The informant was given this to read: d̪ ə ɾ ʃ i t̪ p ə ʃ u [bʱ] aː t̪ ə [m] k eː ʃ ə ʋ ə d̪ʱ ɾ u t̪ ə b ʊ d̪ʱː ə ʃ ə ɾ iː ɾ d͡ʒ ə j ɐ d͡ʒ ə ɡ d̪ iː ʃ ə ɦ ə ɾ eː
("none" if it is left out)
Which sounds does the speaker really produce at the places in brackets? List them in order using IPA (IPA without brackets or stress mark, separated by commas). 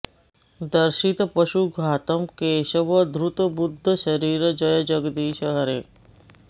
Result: ɡʱ, m